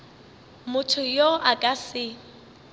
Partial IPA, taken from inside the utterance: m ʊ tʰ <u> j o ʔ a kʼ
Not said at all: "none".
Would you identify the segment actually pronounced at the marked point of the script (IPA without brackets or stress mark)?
ʊ